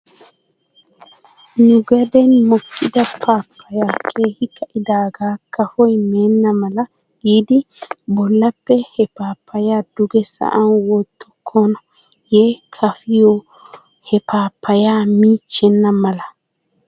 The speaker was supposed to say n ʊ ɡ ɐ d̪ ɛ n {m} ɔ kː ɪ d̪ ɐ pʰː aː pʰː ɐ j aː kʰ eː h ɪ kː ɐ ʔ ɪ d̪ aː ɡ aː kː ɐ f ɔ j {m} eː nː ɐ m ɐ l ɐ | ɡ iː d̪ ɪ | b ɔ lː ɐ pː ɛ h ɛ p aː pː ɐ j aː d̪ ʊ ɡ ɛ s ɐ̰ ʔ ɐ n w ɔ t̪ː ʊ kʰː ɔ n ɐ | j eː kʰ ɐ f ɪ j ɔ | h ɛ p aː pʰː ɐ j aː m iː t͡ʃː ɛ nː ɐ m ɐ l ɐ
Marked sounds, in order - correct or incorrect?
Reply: correct, correct

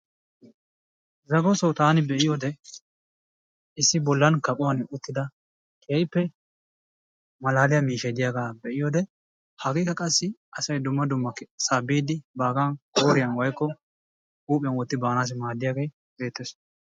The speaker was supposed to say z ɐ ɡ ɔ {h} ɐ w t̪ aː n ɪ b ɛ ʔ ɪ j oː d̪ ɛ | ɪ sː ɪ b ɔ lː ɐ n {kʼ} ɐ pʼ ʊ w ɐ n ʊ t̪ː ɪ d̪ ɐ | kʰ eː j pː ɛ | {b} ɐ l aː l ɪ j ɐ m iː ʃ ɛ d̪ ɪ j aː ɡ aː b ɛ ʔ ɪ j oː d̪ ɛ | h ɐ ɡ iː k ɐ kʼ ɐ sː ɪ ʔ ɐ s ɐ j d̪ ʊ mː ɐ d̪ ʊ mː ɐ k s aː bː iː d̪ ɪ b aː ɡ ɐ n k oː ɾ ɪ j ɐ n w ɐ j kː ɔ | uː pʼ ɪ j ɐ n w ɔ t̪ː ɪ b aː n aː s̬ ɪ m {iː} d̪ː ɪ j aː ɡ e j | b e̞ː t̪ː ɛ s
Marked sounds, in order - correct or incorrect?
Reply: incorrect: s, incorrect: k, incorrect: m, incorrect: aː

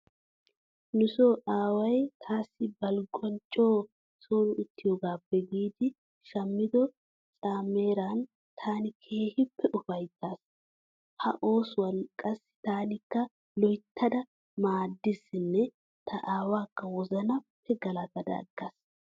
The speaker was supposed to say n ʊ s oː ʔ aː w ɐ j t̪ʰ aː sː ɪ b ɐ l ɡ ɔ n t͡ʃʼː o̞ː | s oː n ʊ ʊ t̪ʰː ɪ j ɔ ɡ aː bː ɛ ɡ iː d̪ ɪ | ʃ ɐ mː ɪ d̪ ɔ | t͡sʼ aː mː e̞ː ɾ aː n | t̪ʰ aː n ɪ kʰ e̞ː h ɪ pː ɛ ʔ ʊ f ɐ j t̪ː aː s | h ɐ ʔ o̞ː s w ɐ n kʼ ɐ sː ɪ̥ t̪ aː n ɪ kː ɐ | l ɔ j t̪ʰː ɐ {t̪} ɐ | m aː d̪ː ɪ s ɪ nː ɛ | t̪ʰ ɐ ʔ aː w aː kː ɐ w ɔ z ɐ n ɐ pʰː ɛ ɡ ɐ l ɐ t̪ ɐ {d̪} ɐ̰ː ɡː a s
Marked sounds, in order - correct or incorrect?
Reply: incorrect: d̪, correct

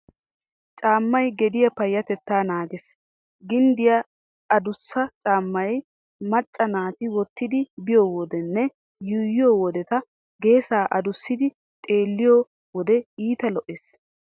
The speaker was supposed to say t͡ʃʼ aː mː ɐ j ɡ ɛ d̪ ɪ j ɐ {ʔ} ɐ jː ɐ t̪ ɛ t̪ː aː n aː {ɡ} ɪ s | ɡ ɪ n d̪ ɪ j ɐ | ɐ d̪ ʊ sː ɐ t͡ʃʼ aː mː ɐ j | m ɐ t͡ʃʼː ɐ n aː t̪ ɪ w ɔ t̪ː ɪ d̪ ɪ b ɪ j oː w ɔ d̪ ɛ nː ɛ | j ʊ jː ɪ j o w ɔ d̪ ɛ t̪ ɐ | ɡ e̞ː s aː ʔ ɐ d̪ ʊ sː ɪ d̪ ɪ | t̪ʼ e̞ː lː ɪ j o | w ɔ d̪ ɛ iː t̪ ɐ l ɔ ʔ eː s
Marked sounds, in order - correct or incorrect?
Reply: incorrect: p, correct

